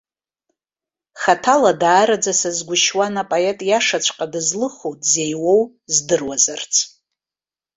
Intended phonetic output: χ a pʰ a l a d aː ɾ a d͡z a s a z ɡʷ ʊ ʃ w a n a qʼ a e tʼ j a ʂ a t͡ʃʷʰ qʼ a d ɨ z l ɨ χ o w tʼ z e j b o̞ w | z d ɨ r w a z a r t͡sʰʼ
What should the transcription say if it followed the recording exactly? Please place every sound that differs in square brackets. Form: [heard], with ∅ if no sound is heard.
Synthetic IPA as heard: χ a [tʰ] a l a d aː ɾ a d͡z a s a z ɡʷ ʊ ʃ w a n a [pʼ] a e tʼ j a ʂ a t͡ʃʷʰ qʼ a d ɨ z l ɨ χ o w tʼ z e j [w] o̞ w | z d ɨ r w a z a r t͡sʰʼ